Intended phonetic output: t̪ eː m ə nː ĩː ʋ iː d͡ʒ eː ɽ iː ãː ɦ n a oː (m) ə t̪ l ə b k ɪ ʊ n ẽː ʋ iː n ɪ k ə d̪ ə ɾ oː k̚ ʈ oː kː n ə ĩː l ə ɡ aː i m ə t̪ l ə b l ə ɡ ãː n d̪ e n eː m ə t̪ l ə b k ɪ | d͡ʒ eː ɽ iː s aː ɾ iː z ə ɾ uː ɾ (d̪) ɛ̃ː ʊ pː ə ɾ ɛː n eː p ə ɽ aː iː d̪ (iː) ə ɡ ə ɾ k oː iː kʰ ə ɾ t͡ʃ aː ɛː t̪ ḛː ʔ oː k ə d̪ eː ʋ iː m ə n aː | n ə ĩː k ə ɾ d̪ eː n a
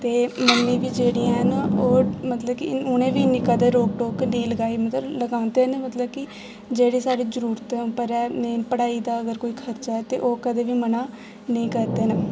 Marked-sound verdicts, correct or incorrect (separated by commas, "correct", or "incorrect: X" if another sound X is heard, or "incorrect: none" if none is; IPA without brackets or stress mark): correct, incorrect: t̪, incorrect: aː